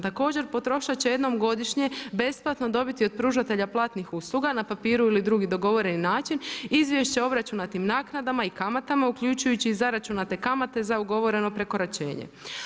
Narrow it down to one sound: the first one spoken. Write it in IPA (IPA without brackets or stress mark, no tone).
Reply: t̪